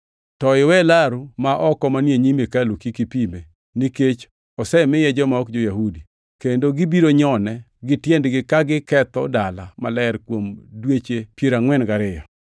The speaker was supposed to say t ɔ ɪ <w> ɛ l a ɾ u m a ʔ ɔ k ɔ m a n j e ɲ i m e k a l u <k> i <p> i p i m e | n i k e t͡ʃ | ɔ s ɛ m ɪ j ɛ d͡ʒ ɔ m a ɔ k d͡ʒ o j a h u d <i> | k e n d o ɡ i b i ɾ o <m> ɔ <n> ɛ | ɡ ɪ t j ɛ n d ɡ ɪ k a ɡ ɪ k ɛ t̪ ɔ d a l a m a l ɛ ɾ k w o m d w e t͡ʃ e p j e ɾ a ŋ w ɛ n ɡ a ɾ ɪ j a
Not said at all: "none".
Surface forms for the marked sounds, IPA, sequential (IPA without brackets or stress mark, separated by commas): w, k, k, i, ɲ, n